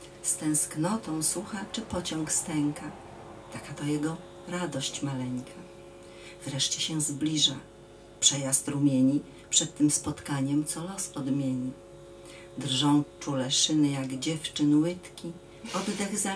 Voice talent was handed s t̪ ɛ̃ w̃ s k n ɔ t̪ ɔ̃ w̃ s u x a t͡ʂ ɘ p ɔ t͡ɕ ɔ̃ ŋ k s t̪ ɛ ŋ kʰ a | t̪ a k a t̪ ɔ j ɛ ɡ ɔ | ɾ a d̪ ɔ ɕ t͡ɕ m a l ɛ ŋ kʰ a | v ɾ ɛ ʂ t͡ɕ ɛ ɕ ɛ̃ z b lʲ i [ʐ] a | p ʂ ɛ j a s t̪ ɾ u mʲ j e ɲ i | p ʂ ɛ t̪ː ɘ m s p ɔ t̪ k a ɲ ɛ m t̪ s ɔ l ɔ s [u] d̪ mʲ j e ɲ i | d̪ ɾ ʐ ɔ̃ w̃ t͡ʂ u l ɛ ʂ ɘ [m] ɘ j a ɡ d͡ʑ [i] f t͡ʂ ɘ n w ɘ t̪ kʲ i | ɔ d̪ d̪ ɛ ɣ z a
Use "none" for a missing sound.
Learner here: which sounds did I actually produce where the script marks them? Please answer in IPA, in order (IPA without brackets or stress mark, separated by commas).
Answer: ʐ, ɔ, n, ɛ